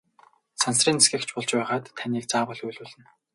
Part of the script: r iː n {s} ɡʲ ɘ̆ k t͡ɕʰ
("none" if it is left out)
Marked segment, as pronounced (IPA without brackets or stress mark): s